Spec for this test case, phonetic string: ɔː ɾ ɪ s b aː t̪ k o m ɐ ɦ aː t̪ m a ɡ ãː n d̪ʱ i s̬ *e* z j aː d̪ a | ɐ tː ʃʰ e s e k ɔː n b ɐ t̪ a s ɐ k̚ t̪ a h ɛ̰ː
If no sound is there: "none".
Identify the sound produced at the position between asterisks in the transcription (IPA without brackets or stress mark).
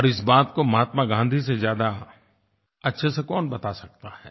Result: e